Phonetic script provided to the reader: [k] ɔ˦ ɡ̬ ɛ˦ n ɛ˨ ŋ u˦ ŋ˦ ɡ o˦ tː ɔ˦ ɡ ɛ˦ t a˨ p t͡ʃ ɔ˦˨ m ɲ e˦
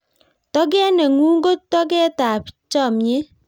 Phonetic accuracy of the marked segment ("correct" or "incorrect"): incorrect